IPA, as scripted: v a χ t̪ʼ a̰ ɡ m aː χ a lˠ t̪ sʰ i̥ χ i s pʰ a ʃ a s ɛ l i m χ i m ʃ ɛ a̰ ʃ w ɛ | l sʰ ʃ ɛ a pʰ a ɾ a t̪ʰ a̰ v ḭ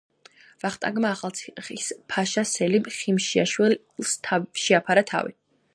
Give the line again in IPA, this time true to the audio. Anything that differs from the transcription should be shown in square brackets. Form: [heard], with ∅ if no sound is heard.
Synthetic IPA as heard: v a χ t̪ʼ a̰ ɡ m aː χ a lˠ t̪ sʰ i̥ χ i s pʰ a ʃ a s ɛ l i m χ i m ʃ [i] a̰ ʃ w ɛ | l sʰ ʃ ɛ a pʰ a ɾ a t̪ʰ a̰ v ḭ